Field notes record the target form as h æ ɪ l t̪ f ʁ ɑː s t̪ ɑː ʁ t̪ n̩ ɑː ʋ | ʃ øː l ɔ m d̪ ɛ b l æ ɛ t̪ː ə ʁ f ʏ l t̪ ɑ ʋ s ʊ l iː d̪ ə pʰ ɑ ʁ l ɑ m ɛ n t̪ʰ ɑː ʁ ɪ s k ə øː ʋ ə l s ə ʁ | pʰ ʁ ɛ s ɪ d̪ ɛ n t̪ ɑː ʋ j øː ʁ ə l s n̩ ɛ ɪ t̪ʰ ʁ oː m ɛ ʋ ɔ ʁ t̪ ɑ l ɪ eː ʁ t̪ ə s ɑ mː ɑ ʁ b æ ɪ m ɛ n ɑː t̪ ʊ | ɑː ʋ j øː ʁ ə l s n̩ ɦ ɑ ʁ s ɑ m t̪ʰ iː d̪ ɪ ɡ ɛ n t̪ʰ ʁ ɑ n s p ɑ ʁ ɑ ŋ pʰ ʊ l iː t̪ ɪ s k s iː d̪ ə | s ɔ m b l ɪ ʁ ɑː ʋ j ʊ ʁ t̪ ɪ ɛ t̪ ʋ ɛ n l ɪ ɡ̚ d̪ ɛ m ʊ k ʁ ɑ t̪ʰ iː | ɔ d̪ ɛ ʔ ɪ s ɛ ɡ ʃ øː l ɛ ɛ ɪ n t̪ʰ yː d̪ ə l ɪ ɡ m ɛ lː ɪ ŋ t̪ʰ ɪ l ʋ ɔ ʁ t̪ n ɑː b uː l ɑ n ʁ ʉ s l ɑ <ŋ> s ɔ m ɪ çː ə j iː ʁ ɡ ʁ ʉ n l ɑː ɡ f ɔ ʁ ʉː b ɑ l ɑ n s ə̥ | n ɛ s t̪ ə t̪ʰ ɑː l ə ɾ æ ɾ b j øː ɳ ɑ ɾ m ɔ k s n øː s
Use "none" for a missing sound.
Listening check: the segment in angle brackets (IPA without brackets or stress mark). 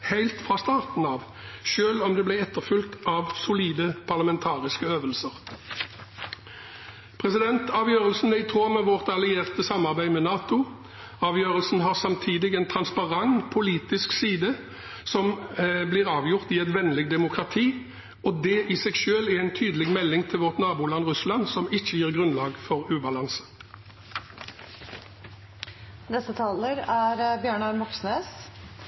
n